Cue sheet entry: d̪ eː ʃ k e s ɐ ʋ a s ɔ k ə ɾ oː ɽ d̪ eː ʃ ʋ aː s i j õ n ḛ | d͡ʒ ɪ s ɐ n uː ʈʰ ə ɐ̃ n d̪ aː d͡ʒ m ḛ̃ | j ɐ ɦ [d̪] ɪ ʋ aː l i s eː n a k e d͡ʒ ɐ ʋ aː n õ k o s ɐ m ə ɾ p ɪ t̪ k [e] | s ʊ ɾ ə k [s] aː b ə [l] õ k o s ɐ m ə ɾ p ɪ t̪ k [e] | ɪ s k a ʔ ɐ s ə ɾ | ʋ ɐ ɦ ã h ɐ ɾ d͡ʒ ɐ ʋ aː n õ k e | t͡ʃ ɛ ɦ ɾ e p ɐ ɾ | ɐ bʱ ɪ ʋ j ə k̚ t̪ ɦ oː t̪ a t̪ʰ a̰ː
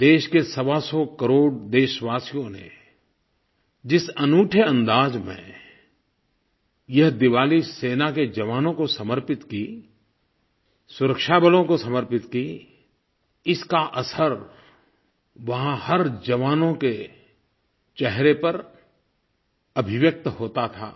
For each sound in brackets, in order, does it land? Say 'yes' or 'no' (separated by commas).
yes, no, no, yes, no